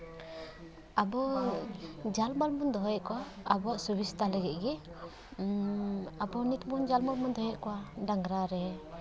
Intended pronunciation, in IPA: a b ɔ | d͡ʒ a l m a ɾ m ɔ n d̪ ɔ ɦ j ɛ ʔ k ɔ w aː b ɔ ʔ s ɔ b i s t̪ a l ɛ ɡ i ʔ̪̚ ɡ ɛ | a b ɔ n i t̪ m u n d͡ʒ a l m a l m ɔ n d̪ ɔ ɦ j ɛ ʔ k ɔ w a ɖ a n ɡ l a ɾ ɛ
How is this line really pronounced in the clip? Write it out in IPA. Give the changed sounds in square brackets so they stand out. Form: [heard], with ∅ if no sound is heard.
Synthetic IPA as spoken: a b ɔ | d͡ʒ a l m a [l] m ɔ n d̪ ɔ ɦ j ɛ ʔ k ɔ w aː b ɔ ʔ s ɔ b i s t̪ a l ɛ ɡ [ɛ] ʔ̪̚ ɡ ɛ | a b ɔ n i t̪ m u n d͡ʒ a l m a l m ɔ n d̪ ɔ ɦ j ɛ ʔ k ɔ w a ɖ a [ŋ] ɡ [ɾ] a ɾ ɛ